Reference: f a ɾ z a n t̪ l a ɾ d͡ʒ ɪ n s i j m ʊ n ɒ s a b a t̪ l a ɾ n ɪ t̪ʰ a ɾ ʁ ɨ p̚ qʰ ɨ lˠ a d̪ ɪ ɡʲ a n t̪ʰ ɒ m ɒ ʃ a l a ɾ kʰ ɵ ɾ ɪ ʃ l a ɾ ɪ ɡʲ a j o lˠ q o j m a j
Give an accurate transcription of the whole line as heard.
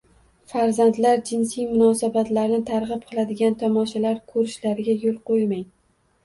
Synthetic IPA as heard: f a ɾ z a n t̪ l a ɾ d͡ʒ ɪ n s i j m ʊ n ɒ s a b a t̪ l a ɾ n ɪ t̪ʰ a ɾ ʁ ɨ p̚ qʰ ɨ lˠ a d̪ ɪ ɡʲ a n t̪ʰ ɒ m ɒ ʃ a l a ɾ kʰ ɵ ɾ ɪ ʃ l a ɾ ɪ ɡʲ a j o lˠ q o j m a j